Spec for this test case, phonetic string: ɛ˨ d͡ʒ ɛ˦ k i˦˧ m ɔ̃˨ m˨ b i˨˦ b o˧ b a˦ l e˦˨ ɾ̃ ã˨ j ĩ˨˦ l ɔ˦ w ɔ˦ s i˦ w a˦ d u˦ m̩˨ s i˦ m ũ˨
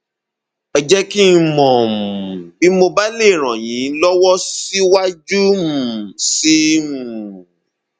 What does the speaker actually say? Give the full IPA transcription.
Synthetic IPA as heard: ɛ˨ d͡ʒ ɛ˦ k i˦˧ m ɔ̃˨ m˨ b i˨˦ m o˧ b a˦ l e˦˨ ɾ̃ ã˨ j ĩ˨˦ l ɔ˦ w ɔ˦ s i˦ w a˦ d͡ʒ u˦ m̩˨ s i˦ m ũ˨